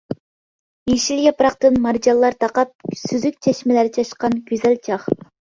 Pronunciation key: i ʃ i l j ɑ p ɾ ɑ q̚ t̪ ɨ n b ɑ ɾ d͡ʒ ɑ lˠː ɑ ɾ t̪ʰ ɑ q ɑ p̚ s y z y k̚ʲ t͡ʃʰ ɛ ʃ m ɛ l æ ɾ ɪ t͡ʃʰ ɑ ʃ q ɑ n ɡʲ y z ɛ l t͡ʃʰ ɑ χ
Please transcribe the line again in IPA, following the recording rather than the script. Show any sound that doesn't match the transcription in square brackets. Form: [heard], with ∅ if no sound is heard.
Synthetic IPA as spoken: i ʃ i l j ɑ p ɾ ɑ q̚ t̪ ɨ n [m] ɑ ɾ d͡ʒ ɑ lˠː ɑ ɾ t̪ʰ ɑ q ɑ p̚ s y z y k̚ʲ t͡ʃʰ ɛ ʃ m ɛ l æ ɾ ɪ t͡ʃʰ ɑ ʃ q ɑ n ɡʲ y z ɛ l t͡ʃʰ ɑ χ